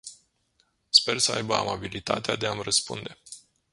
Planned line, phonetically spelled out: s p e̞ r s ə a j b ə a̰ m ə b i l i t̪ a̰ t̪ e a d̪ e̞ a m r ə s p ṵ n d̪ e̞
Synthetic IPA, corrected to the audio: s p e̞ r s ə a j b ə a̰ m a b i l i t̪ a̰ t̪ e a d̪ e̞ a m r ə s p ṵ n d̪ e̞